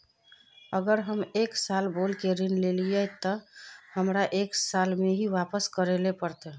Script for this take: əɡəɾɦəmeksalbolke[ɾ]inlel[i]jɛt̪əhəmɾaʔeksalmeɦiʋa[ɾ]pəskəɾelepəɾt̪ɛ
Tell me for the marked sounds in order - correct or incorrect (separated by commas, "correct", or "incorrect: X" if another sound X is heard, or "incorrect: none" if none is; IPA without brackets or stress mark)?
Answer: correct, correct, incorrect: none